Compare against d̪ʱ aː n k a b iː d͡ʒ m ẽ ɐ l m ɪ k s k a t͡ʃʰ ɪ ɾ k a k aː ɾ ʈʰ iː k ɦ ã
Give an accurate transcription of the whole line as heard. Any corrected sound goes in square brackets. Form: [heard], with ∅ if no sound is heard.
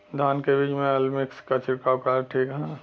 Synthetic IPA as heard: d̪ʱ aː n k [e] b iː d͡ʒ m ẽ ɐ l m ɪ k s k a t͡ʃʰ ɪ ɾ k a k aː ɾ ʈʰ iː k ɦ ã